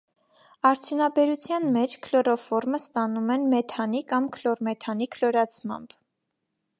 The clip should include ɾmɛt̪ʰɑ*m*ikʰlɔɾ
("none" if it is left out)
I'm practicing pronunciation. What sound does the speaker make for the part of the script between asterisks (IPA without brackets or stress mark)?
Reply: n